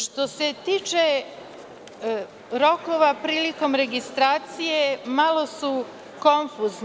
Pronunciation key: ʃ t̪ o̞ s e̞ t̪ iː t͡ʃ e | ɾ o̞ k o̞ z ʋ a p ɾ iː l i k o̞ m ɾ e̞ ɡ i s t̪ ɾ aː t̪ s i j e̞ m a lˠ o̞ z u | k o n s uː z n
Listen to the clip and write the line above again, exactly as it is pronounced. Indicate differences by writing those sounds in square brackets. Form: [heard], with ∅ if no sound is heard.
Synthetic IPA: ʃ t̪ o̞ s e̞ t̪ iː t͡ʃ e | ɾ o̞ k o̞ [∅] ʋ a p ɾ iː l i k o̞ m ɾ e̞ ɡ i s t̪ ɾ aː t̪ s i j e̞ m a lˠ o̞ [s] u | k o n [f] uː z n